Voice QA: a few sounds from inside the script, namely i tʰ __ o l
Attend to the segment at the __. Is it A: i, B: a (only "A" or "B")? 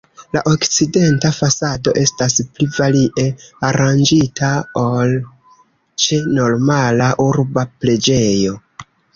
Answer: B